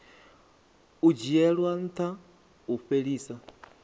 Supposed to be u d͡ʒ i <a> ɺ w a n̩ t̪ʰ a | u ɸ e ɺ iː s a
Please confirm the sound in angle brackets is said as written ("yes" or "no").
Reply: no